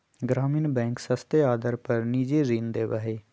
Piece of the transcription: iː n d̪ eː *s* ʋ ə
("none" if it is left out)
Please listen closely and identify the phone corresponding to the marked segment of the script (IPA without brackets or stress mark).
none